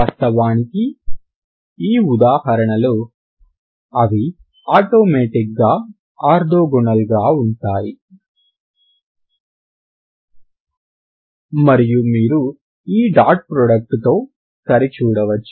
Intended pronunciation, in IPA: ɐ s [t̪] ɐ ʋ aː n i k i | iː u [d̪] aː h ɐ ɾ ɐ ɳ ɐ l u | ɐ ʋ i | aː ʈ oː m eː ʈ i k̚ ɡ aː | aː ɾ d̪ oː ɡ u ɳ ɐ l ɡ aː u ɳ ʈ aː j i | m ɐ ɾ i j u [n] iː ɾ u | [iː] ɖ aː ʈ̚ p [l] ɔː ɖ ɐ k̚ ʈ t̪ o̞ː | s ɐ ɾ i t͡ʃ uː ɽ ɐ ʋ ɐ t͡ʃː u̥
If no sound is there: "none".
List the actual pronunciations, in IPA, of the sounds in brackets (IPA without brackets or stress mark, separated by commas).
t̪, d̪, m, iː, ɾ